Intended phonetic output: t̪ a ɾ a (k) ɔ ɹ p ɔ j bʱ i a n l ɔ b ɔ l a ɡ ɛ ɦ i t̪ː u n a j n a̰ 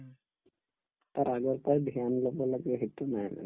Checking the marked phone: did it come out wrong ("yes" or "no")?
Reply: yes